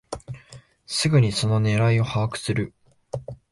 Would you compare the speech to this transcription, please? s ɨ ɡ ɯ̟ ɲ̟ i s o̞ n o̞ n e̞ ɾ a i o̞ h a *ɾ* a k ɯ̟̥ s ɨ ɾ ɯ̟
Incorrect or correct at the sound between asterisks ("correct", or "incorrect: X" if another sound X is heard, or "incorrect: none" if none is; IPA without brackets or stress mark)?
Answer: incorrect: none